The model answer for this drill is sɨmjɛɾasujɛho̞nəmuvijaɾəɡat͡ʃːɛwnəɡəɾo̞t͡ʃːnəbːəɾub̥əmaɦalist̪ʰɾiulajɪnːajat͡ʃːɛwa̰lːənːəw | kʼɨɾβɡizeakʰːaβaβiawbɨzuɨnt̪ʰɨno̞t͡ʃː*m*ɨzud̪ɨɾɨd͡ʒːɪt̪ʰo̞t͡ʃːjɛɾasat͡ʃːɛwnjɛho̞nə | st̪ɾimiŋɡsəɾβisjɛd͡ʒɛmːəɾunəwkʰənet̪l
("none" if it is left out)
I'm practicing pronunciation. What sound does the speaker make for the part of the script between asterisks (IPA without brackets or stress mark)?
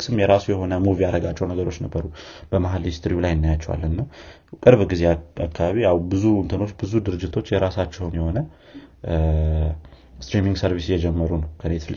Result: b